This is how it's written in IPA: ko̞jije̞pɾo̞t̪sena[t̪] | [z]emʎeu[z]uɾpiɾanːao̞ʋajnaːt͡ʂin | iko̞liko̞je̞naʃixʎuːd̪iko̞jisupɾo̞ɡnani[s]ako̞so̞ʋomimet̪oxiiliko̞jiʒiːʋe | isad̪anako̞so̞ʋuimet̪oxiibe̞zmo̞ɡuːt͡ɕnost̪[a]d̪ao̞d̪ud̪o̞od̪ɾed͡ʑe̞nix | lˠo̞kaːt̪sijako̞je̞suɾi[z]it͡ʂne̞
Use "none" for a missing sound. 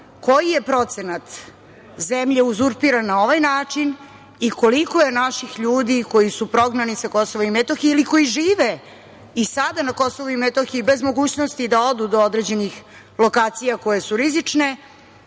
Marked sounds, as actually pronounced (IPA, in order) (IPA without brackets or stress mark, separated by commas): t̪, z, z, s, i, z